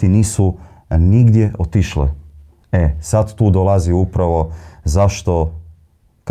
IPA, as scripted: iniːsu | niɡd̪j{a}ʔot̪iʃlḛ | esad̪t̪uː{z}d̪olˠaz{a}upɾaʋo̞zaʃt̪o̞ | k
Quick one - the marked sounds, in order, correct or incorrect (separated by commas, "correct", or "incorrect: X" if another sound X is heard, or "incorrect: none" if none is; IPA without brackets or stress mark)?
incorrect: e, incorrect: none, incorrect: i